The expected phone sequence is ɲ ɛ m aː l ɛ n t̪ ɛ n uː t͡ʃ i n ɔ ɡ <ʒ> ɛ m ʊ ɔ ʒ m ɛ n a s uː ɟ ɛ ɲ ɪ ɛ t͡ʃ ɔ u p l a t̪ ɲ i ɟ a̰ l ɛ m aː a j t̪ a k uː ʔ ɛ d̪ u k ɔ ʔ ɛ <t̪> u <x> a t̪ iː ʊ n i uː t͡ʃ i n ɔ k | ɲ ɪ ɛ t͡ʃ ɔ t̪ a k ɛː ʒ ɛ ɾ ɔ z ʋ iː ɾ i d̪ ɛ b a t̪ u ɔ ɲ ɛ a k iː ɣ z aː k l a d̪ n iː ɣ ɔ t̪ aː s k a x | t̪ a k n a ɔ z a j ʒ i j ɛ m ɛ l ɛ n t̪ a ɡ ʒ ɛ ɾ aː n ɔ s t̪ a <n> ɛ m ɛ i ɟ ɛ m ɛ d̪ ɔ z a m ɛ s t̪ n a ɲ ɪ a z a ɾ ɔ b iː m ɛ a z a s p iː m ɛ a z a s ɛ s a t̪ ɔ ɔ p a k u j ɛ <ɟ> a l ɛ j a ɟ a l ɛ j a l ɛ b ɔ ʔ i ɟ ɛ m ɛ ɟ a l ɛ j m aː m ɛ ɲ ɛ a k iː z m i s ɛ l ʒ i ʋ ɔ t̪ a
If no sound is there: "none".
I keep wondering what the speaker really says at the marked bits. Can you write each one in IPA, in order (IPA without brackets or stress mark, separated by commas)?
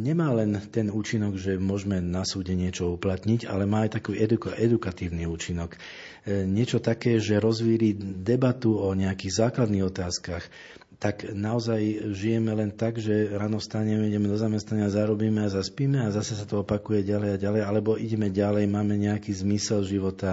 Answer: ʒ, d̪, k, ɲ, ɟ